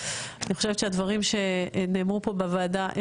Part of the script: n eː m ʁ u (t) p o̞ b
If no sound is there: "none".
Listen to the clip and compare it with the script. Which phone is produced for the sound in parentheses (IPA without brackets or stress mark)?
none